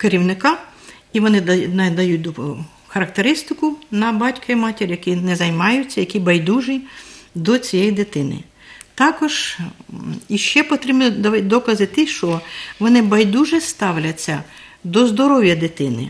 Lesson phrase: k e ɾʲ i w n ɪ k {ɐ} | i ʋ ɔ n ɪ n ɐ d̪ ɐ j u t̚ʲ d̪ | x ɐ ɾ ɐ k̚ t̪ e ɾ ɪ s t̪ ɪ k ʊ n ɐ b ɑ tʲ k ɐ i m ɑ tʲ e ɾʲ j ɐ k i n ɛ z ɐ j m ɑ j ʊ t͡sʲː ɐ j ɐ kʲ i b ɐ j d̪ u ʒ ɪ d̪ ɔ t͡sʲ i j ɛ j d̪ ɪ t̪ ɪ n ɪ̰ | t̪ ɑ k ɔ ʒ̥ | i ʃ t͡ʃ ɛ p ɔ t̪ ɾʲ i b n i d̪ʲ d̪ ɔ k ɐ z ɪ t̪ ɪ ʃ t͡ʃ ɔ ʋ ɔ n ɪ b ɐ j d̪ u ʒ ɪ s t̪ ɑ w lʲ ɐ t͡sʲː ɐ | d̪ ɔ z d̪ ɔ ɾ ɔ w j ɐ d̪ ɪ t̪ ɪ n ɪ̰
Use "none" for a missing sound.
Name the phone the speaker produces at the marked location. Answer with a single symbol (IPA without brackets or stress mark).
ɑ